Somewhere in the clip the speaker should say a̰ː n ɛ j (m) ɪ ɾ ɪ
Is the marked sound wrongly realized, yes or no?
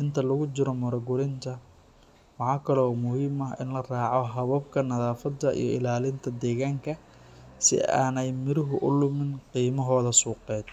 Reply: no